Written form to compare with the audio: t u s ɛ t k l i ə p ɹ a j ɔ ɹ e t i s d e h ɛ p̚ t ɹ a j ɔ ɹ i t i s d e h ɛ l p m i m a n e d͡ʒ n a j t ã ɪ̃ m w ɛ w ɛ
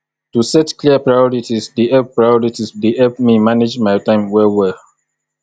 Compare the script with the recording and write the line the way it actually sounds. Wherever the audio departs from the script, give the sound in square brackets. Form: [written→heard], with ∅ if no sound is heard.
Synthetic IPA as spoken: t u s ɛ t k l i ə p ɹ a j ɔ ɹ [e→i] t i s d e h ɛ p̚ [t→p] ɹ a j ɔ ɹ i t i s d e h ɛ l p m i m a n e d͡ʒ [n→m] a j t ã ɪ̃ m w ɛ w ɛ